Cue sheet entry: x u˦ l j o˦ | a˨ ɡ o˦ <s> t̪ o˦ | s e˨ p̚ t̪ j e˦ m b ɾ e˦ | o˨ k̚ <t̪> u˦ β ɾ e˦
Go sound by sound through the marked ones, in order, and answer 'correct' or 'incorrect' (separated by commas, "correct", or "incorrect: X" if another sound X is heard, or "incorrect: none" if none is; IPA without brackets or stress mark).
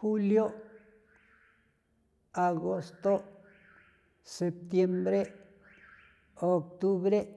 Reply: correct, correct